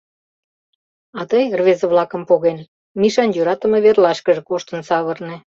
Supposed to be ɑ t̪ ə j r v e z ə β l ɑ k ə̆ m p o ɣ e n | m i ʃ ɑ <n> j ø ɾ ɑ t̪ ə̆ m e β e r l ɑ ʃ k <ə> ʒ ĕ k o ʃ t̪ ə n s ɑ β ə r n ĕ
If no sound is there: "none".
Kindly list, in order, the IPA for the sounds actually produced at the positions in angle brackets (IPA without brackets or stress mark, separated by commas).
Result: n, ə